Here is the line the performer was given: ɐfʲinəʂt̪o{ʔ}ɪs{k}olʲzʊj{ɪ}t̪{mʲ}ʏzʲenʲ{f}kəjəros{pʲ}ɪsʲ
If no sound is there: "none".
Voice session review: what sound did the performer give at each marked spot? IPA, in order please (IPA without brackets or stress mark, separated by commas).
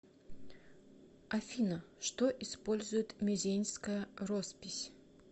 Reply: ʔ, p, ɪ, mʲ, s, pʲ